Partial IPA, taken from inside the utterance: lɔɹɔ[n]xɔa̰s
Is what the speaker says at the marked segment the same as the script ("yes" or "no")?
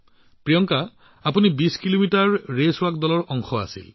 no